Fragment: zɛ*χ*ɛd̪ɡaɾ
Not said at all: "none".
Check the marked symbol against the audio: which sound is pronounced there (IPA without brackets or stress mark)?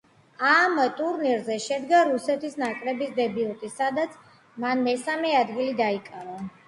ʃ